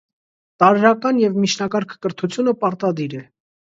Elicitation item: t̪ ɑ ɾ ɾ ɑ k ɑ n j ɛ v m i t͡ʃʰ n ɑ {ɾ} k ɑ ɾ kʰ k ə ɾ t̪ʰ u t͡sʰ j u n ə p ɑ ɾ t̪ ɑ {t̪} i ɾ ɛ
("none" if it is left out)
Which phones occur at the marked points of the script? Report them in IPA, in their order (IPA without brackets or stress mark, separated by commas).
none, d̪